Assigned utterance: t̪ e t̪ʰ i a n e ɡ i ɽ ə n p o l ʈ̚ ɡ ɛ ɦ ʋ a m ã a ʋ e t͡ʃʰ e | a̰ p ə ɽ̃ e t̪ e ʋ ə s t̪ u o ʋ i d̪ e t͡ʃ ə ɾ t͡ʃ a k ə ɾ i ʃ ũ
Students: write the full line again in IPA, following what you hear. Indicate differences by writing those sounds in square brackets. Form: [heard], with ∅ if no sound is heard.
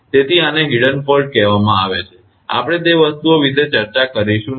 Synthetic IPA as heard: t̪ e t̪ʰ i a n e ɡ i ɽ ə n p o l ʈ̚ [k] ɛ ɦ ʋ a m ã a ʋ e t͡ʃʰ e | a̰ p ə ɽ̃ e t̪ e ʋ ə s t̪ u o ʋ i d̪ e t͡ʃ ə ɾ t͡ʃ a k ə ɾ i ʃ ũ